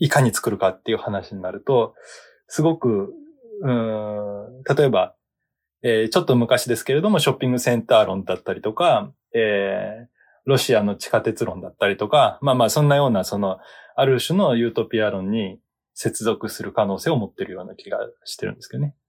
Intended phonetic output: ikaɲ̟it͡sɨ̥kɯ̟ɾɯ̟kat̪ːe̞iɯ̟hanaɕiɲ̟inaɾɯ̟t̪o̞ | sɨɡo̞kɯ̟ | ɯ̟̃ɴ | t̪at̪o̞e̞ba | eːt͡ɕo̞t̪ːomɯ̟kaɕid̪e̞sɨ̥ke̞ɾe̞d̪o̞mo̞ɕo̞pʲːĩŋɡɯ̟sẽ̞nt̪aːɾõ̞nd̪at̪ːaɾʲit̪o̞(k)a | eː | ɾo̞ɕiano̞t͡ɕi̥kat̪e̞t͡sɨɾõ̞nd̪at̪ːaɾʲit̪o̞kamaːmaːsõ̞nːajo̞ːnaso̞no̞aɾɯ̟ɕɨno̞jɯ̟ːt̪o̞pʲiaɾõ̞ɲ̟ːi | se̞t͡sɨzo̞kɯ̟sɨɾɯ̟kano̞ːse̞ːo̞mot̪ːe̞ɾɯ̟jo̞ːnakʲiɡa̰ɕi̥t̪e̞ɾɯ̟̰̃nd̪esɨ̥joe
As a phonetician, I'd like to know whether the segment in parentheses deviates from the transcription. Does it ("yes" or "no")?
no